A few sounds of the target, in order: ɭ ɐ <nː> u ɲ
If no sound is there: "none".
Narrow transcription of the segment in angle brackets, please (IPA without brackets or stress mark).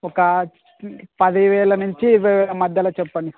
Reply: n